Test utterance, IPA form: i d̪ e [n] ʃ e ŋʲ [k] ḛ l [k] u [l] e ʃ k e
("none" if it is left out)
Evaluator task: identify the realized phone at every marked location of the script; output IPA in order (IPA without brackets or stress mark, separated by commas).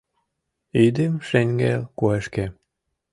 m, ɡ, k, none